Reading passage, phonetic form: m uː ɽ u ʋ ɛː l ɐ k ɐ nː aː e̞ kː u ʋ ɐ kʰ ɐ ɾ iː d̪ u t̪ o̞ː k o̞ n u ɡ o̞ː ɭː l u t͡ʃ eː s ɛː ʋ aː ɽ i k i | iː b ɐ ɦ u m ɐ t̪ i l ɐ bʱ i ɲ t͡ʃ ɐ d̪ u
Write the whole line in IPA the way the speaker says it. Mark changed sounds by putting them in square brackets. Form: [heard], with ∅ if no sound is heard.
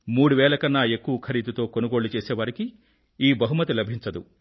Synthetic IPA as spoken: m uː ɽ u ʋ ɛː l ɐ k ɐ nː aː e̞ kː u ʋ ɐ kʰ ɐ ɾ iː d̪ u t̪ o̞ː k o̞ n u ɡ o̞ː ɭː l u t͡ʃ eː s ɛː ʋ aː [ɾ] i k i | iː b ɐ ɦ u m ɐ t̪ i l ɐ bʱ i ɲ t͡ʃ ɐ d̪ u